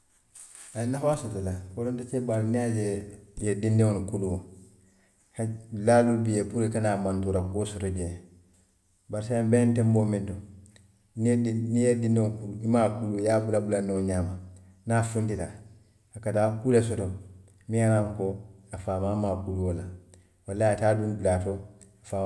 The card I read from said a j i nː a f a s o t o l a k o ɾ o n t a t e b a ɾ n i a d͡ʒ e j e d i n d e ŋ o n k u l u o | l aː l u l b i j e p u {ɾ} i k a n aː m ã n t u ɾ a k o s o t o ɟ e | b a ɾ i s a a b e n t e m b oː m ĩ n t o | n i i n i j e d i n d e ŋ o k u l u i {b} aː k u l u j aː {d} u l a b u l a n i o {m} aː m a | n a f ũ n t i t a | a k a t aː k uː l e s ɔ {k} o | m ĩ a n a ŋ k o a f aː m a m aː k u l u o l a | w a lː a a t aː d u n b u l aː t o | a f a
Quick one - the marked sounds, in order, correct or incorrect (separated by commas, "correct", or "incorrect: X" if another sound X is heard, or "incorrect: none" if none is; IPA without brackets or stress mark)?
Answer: correct, incorrect: m, incorrect: b, incorrect: ɲ, incorrect: t